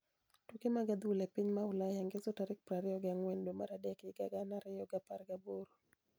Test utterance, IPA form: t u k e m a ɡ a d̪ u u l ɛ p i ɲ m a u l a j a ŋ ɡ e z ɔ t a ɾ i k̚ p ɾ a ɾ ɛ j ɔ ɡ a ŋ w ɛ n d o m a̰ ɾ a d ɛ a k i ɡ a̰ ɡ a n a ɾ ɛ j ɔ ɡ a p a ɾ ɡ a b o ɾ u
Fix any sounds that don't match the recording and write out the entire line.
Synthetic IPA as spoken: t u k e m a ɡ a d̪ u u l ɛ p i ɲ m a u l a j a ŋ ɡ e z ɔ t a ɾ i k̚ p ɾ a ɾ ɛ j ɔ ɡ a ŋ w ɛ n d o m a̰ ɾ a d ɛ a k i ɡ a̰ ɡ a n a ɾ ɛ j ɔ ɡ a p a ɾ ɡ a b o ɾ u